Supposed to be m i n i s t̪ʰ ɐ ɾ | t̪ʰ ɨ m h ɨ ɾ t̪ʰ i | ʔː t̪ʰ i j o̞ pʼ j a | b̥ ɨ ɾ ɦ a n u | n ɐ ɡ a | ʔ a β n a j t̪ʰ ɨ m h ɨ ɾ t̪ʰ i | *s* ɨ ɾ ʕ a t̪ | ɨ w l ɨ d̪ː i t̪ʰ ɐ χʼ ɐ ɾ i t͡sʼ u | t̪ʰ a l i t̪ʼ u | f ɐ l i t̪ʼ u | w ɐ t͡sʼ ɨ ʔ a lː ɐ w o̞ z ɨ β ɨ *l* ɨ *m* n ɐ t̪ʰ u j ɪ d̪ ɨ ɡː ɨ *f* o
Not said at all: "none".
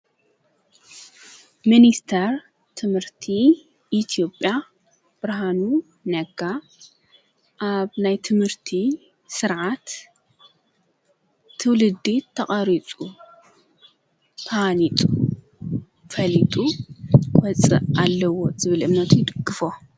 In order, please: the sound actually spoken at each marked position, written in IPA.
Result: s, l, m, f

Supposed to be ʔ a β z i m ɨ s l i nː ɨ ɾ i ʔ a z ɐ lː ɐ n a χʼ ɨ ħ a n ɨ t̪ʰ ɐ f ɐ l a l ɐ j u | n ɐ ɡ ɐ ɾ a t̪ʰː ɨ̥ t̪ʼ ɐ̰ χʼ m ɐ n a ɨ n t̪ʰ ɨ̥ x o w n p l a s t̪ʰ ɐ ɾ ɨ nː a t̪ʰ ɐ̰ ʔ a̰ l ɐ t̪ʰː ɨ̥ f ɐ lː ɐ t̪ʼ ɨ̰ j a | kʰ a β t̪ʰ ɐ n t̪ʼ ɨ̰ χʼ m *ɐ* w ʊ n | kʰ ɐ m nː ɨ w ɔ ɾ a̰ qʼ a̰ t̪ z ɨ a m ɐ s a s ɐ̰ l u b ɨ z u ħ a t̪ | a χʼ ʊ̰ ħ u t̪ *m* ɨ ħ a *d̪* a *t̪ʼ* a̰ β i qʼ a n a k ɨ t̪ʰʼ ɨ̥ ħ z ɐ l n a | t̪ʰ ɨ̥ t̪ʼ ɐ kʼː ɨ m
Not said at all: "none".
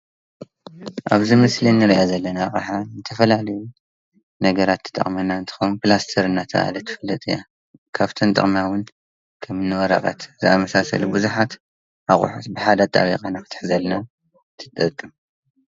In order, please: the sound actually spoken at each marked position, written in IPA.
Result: a, b, d̪, t̪ʼ

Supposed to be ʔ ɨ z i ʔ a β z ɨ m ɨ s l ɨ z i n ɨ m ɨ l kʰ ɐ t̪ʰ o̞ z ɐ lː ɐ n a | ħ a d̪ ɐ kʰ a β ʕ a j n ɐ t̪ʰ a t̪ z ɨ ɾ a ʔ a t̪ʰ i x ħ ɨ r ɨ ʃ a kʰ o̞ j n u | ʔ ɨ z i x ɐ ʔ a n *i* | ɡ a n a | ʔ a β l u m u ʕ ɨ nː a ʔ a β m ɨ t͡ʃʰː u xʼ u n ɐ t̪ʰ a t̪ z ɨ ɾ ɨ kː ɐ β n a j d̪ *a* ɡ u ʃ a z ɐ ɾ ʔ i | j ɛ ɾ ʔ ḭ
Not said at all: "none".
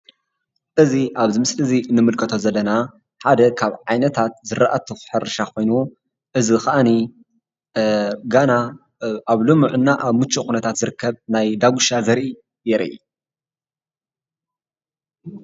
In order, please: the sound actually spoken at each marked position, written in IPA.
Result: i, a

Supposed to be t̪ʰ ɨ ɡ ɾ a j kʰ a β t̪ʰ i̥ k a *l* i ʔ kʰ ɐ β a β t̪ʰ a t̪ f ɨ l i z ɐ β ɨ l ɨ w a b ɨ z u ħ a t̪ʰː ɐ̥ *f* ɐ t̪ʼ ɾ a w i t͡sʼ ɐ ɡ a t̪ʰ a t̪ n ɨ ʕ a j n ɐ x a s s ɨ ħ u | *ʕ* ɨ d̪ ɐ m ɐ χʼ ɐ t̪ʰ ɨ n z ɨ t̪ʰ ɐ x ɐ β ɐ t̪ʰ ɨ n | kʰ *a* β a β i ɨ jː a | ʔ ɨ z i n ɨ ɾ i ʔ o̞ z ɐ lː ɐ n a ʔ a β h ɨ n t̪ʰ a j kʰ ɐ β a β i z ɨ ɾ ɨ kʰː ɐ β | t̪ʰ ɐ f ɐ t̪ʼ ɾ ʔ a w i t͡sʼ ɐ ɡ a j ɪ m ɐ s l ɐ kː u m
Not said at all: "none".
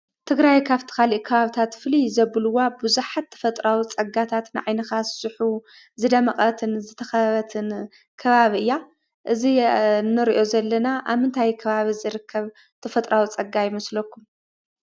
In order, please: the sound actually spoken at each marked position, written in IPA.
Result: l, f, z, ɐ

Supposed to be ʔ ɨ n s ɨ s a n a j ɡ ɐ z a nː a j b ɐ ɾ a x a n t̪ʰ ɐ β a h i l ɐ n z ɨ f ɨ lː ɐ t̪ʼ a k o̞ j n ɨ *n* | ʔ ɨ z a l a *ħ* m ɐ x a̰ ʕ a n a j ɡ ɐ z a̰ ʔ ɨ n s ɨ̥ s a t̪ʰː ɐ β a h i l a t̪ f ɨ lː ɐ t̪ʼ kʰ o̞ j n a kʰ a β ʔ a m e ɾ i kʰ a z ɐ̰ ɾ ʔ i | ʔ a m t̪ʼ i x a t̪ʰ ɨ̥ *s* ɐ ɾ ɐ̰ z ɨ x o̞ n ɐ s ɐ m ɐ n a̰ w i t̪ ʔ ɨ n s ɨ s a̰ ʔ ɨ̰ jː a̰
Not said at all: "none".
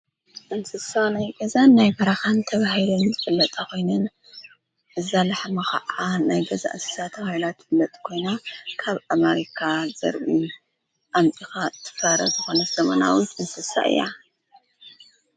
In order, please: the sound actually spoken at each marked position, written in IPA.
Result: n, ħ, f

